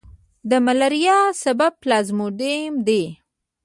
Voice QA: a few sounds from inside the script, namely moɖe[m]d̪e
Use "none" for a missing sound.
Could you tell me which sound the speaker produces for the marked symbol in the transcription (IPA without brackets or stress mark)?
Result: m